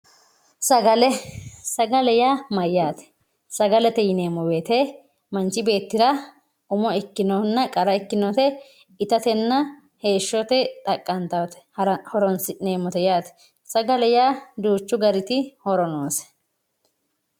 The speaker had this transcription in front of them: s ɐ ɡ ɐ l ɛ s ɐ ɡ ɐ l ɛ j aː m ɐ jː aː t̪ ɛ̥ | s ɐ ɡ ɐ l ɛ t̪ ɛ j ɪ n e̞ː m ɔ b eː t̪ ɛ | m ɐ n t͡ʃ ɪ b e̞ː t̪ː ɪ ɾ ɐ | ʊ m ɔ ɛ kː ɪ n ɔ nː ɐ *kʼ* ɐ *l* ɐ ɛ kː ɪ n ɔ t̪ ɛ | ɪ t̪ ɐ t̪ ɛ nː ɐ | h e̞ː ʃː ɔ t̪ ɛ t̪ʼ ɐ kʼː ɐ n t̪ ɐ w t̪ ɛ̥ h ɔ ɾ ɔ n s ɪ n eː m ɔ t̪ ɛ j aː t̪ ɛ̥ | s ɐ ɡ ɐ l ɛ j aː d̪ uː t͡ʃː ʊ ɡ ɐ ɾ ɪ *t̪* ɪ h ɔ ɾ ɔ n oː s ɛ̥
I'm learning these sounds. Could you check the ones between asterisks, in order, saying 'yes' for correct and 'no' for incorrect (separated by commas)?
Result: yes, no, yes